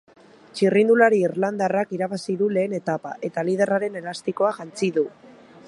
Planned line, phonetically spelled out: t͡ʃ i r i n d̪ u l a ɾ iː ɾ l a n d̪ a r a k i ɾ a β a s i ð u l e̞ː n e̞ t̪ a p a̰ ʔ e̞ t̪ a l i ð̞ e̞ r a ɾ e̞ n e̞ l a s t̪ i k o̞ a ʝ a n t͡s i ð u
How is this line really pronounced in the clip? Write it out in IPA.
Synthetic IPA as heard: t͡ʃ i r i n d̪ u l a ɾ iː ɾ l a n d̪ a r a k i ɾ a β a s i ð u l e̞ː n e̞ t̪ a p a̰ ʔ e̞ t̪ a l i ð̞ e̞ r a ɾ e̞ n e̞ l a s t̪ i k o̞ a ʝ a n t͡s i ð u